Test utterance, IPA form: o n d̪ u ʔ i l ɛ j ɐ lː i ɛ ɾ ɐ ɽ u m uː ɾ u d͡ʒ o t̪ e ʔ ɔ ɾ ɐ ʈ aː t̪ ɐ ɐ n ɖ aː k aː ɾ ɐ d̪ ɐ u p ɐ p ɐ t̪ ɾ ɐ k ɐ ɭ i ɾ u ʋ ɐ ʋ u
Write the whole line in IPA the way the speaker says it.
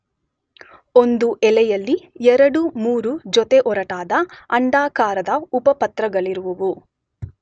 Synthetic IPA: o n d̪ u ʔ ɛ l ɛ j ɐ lː i ɛ ɾ ɐ ɽ u m uː ɾ u d͡ʒ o t̪ e ʔ ɔ ɾ ɐ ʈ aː d̪ ɐ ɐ ɳ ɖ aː k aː ɾ ɐ d̪ ɐ u p ɐ p ɐ t̪ ɾ ɐ ɡ ɐ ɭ i ɾ u ʋ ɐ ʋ u